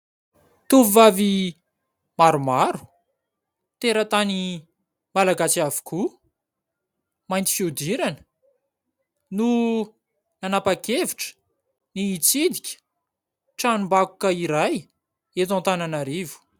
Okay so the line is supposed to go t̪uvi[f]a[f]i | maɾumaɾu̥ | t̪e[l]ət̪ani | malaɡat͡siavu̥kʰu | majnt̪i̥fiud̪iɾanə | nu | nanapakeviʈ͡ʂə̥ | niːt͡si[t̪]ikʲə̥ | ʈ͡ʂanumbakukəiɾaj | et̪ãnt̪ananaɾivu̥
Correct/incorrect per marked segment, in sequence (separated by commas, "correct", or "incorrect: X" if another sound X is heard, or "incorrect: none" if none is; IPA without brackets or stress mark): incorrect: v, incorrect: v, incorrect: ɾ, incorrect: d̪